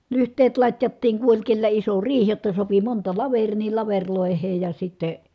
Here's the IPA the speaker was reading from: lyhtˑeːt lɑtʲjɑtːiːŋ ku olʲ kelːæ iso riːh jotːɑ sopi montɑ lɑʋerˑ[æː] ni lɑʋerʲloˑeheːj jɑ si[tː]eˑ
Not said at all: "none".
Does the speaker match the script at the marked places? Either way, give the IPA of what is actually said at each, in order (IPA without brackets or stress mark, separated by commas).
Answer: iː, tː